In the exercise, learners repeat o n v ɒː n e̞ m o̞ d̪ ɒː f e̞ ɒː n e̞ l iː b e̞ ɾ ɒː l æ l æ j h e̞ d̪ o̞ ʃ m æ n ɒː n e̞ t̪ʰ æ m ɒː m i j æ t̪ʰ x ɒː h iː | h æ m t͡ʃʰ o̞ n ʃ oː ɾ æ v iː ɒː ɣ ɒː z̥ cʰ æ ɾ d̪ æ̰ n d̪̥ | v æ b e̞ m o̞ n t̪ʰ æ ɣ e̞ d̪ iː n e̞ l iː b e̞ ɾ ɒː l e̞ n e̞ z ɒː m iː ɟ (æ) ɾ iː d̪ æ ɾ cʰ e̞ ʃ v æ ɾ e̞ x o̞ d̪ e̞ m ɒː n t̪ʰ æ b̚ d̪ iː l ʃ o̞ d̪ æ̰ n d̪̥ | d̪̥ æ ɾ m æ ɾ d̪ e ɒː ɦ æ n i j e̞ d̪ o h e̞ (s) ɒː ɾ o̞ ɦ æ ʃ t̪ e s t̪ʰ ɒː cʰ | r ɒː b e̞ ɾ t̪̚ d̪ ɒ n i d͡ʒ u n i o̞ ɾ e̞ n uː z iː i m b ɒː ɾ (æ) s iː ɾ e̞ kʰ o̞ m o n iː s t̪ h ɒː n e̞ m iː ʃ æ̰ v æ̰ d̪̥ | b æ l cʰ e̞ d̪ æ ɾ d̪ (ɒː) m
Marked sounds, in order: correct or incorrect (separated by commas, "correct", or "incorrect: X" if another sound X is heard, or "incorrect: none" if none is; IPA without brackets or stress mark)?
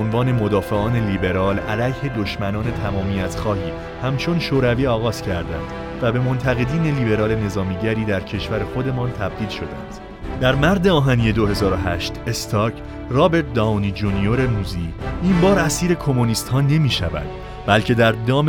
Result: correct, incorrect: z, correct, correct